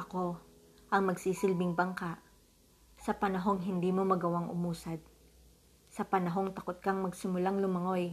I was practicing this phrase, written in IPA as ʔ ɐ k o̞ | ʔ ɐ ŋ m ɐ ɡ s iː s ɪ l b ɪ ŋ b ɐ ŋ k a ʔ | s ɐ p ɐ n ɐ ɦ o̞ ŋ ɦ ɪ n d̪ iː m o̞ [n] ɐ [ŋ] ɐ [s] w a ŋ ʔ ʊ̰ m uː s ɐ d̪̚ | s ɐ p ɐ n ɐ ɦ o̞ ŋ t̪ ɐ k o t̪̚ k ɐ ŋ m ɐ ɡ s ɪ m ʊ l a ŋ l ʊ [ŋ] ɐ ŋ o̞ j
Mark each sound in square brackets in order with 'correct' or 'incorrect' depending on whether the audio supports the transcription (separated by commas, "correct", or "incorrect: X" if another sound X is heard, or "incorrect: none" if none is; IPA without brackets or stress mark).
incorrect: m, incorrect: ɡ, incorrect: none, incorrect: m